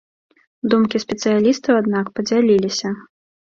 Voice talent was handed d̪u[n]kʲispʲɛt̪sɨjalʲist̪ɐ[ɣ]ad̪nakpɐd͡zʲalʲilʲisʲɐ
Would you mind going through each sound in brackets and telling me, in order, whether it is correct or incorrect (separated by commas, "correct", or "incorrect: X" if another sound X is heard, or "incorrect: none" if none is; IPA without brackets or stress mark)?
incorrect: m, incorrect: w